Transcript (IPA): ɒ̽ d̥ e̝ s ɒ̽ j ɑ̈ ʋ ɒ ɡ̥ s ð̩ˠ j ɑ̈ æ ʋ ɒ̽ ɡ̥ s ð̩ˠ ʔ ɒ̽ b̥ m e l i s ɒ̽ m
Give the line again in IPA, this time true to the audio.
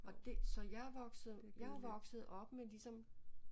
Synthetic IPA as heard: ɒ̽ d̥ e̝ s ɒ̽ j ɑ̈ ʋ ɒ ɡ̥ s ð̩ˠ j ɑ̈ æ ʋ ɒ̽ ɡ̥ s ð̩ˠ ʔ ɒ̽ b̥ m e l i s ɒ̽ m